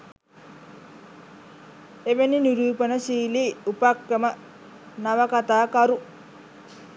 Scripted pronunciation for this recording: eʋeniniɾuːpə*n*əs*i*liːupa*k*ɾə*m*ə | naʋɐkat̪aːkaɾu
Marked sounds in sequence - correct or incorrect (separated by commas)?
correct, incorrect, correct, correct